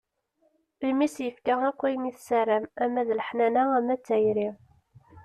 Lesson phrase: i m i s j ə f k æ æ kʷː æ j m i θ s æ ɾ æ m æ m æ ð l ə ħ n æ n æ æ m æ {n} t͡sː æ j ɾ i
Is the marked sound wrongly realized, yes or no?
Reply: yes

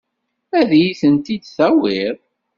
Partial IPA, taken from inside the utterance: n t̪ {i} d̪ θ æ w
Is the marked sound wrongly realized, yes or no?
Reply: no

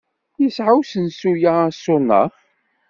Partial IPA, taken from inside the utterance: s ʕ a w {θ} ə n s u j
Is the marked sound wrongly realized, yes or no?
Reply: yes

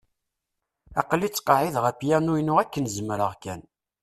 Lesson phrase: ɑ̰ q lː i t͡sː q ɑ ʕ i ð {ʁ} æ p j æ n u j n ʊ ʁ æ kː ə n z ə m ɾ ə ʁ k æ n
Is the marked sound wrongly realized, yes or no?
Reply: no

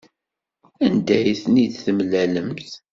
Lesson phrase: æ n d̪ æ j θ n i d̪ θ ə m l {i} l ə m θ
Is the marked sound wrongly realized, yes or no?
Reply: yes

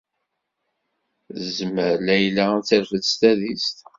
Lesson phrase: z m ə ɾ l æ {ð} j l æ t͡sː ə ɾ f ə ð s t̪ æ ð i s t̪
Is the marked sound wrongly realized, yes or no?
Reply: yes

